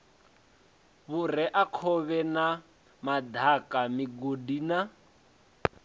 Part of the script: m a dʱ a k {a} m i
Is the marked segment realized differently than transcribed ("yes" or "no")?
no